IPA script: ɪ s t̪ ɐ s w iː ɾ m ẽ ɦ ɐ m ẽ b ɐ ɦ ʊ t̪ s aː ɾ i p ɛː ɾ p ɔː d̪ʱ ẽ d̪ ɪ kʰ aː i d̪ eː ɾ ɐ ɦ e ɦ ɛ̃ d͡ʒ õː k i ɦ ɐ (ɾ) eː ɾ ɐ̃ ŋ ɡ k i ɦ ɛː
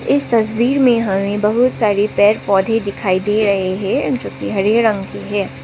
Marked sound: correct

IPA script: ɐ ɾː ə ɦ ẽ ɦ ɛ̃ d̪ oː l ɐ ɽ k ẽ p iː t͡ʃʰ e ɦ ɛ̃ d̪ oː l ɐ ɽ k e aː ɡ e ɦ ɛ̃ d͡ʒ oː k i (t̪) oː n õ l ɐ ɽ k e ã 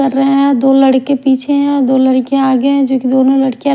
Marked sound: incorrect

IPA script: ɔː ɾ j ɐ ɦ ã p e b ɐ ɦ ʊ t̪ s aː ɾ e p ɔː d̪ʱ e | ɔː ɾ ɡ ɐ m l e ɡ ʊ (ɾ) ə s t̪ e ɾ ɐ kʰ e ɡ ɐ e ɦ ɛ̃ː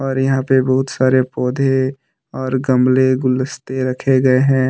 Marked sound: incorrect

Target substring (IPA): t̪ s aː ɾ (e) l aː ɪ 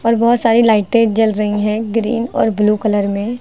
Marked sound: incorrect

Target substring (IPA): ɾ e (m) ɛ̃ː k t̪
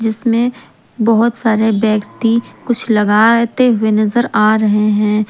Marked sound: incorrect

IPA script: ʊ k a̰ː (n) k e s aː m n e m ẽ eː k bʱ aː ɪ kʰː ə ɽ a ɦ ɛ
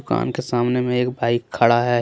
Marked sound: correct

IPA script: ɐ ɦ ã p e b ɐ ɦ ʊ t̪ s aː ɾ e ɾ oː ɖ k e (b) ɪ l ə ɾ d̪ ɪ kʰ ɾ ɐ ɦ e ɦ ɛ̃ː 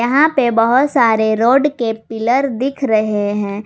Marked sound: incorrect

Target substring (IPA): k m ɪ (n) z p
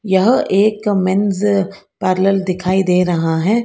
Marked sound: correct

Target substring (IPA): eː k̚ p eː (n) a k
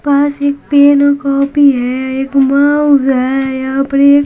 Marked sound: correct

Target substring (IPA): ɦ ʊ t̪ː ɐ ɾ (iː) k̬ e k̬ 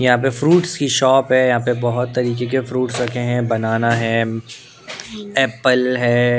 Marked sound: correct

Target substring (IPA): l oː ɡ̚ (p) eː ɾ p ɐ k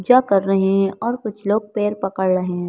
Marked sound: correct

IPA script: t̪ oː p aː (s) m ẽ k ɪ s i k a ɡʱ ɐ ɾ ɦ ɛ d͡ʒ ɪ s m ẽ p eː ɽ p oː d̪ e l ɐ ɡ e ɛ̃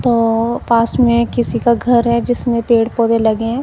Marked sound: correct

